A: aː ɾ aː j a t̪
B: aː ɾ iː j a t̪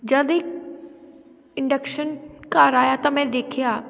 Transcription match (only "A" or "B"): A